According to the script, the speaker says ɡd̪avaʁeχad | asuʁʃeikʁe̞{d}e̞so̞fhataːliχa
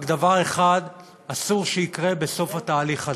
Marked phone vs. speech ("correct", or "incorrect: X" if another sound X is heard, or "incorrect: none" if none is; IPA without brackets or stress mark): incorrect: b